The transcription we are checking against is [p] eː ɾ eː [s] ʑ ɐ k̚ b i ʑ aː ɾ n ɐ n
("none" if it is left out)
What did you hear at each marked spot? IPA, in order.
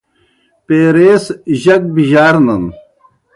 p, s

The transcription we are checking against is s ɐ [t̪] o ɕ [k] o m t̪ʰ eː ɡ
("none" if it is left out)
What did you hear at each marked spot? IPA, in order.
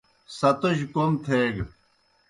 t̪, k

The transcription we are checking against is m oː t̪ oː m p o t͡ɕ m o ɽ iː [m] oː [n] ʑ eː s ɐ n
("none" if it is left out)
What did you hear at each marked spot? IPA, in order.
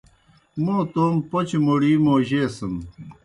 m, none

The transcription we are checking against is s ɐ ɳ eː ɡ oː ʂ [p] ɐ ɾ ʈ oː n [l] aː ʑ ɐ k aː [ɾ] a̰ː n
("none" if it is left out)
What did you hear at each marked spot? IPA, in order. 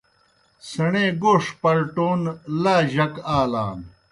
p, l, l

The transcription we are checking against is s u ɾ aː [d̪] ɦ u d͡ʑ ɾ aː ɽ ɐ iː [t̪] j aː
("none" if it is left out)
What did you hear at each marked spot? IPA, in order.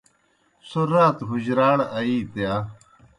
t̪, t̪

